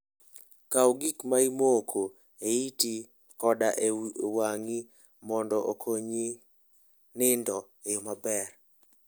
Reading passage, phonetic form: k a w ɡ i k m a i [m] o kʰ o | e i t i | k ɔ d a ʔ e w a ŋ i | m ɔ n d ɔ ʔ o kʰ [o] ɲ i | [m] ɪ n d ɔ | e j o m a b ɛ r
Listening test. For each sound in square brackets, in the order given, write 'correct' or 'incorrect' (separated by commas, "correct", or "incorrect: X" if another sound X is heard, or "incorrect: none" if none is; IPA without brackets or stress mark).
correct, correct, incorrect: n